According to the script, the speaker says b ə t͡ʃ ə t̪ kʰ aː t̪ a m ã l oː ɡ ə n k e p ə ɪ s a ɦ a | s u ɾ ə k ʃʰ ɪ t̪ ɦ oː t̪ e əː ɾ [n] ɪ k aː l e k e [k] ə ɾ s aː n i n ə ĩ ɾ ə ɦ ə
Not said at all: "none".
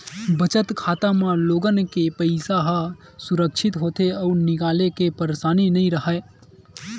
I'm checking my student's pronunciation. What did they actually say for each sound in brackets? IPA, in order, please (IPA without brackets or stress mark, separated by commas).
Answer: n, p